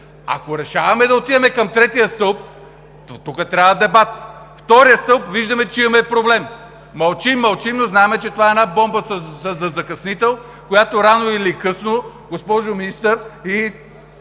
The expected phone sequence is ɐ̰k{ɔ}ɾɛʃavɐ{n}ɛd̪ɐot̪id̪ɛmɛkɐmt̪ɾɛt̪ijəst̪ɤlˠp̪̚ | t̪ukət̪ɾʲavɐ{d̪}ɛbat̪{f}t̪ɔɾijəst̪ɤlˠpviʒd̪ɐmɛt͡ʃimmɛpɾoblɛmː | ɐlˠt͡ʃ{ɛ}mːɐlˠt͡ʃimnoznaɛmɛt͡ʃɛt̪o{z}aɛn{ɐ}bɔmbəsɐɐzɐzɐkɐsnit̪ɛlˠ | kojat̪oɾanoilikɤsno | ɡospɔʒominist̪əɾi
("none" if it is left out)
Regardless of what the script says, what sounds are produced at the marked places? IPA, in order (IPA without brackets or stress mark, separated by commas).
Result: o, m, d̪, f, i, v, a